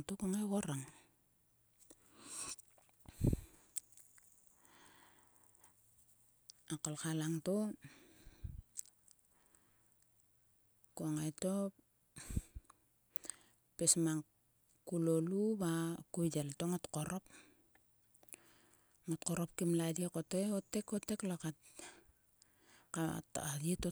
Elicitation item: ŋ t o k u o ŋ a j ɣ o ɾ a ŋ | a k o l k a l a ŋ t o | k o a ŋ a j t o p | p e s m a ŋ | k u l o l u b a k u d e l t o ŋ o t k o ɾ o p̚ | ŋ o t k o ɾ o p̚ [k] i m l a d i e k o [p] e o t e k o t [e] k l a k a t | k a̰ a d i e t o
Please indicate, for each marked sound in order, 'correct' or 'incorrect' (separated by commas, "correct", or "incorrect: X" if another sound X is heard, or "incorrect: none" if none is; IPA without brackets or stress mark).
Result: correct, incorrect: t, correct